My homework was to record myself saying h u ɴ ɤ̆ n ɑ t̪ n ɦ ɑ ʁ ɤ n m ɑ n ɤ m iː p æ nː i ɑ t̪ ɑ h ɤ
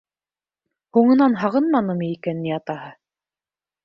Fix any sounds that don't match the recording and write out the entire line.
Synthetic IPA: h u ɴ ɤ̆ n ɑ n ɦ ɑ ʁ ɤ n m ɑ n ɤ m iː k æ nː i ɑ t̪ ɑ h ɤ